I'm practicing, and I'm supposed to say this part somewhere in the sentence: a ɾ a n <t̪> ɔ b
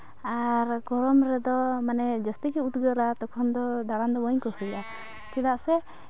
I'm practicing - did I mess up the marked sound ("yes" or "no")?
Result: yes